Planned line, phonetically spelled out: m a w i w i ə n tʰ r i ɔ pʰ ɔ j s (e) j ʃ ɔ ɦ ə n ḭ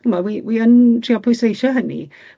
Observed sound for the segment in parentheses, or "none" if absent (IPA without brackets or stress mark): e